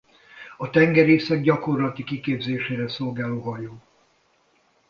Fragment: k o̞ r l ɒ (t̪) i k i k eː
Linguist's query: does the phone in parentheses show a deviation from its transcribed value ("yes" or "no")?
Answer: no